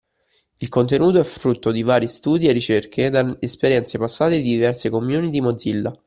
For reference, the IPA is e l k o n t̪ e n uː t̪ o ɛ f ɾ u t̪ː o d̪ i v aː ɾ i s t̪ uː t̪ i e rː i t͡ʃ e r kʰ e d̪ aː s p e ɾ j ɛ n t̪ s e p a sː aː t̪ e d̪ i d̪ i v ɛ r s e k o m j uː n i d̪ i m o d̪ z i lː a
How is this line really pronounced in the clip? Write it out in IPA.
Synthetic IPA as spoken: i l k o n t̪ e n uː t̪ o ɛ f ɾ u t̪ː o d̪ i v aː ɾ i s t̪ uː d̪ i e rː i t͡ʃ e r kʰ e d̪ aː s p e ɾ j ɛ n t̪ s e p a sː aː t̪ e d̪ i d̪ i v ɛ r s e k o m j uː n i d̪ i m o d̪ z i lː a